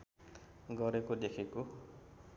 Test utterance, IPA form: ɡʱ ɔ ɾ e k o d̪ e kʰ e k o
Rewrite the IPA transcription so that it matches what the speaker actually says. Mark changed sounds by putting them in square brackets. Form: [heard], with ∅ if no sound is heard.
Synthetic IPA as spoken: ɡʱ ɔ ɾ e k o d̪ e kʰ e k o

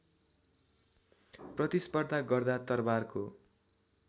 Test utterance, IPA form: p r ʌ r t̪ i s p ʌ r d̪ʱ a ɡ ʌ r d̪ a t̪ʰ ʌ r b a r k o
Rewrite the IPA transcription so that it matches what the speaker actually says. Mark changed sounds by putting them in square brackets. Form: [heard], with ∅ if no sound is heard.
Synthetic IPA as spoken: p r ʌ [∅] t̪ i s p ʌ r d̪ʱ a ɡ ʌ r d̪ a [t̪] ʌ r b a r k o

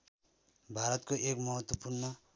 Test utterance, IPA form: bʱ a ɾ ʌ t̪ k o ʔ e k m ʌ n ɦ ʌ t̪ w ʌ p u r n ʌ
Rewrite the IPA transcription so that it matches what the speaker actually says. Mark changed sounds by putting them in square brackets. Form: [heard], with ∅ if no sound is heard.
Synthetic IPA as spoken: bʱ a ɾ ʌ t̪ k o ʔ e k m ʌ [∅] ɦ ʌ t̪ w ʌ p u r n ʌ

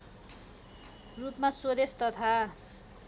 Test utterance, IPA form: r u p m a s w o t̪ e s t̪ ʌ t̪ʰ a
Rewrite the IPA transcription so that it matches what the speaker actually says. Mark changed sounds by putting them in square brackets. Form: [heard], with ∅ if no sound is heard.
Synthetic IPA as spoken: r u p m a s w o [d̪] e s t̪ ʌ t̪ʰ a

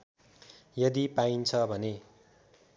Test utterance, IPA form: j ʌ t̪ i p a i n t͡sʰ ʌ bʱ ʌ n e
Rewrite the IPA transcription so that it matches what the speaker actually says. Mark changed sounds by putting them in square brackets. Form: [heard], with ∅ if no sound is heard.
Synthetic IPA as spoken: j ʌ [d̪] i p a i n t͡sʰ ʌ bʱ ʌ n e

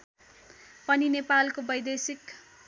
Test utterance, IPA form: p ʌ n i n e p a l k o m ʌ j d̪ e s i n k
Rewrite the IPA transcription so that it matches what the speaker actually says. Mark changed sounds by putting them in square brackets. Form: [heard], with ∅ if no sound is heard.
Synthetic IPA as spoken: p ʌ n i n e p a l k o [b] ʌ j d̪ e s i [∅] k

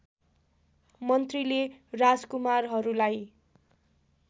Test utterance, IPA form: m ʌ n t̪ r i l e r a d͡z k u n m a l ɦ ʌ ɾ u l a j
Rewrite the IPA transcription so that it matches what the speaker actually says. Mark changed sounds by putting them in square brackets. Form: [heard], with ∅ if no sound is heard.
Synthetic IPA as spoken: m ʌ n t̪ r i l e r a d͡z k u [∅] m a [r] ɦ ʌ ɾ u l a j

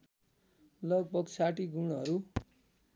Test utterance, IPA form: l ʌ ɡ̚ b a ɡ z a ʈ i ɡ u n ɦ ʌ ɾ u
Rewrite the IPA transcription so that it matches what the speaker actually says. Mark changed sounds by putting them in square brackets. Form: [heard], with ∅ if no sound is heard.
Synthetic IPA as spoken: l ʌ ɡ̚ b [ʌ] ɡ [s] a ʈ i ɡ u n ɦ ʌ ɾ u

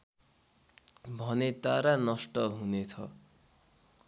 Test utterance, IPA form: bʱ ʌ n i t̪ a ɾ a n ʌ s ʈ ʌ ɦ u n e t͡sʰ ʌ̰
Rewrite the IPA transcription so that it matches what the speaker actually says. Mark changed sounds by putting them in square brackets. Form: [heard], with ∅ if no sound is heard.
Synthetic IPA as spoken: bʱ ʌ n [e] t̪ a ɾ a n ʌ s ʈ ʌ ɦ u n e t͡sʰ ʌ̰

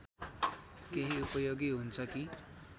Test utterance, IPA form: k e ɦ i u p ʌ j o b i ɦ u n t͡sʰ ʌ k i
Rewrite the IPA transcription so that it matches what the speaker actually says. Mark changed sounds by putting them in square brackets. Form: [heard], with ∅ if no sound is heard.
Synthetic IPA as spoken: k e ɦ i u p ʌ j o [ɡ] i ɦ u n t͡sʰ ʌ k i

